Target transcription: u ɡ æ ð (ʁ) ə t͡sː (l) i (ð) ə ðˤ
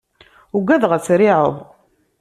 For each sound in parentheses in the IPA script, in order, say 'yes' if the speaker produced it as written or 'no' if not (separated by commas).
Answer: yes, no, no